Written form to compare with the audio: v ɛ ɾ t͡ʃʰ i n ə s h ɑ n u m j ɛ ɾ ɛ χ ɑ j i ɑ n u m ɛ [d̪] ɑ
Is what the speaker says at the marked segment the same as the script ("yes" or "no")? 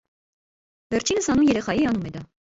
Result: yes